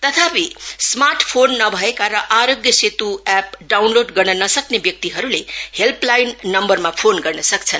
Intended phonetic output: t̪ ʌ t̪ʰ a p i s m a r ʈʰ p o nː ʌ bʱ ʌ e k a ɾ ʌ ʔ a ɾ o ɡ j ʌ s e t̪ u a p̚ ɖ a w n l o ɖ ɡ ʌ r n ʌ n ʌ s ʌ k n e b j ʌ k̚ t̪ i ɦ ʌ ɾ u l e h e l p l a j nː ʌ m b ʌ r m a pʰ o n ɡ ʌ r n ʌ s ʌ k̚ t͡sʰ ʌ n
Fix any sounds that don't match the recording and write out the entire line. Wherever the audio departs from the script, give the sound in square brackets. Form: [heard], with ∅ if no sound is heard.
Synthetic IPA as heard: t̪ ʌ t̪ʰ a p i s m a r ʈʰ [pʰ] o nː ʌ bʱ ʌ e k a ɾ ʌ ʔ a ɾ o ɡ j ʌ s e t̪ u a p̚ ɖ a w n l o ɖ ɡ ʌ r n ʌ n ʌ s ʌ k n e b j ʌ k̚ t̪ i ɦ ʌ ɾ u l e h e l p l a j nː ʌ m b ʌ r m a pʰ o n ɡ ʌ r n ʌ s ʌ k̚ t͡sʰ ʌ n